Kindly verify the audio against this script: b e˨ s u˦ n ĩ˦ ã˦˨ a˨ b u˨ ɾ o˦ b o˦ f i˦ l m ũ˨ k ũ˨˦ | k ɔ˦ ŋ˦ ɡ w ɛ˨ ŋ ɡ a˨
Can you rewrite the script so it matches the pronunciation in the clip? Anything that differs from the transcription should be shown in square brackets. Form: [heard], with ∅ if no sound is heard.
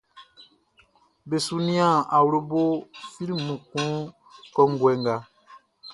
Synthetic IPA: b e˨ s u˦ n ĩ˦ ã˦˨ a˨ [w] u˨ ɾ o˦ b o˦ f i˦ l m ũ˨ k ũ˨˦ | k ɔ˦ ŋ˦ ɡ w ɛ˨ ŋ ɡ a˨

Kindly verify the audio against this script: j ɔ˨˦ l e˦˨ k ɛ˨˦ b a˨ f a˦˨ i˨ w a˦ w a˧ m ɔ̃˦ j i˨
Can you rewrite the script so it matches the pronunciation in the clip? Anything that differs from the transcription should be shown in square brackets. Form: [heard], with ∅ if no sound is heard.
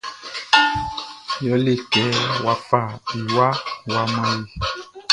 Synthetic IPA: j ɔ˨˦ l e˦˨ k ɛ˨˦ [w] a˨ f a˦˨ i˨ w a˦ w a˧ m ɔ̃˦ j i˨

